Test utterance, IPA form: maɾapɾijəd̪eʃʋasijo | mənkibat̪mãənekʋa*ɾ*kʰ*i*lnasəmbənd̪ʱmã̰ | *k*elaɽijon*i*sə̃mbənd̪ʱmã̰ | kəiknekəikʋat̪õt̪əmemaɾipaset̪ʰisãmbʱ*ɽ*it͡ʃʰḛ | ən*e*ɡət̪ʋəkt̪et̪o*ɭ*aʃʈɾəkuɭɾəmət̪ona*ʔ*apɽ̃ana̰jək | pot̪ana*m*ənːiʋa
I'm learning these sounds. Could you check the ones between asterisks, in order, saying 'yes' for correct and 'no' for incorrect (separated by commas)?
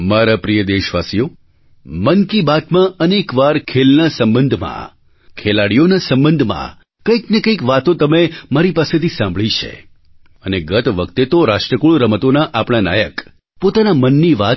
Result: yes, no, no, no, no, yes, no, yes, yes